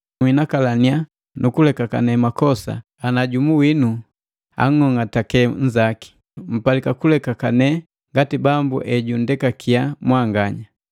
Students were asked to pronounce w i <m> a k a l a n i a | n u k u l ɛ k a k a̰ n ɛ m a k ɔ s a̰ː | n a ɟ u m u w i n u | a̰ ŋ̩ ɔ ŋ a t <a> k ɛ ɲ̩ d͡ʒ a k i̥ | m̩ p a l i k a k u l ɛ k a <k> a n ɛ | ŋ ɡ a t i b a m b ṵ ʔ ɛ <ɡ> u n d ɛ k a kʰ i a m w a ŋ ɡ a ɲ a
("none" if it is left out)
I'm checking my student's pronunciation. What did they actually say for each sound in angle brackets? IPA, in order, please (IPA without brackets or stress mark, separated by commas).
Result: n, a, k, ɟ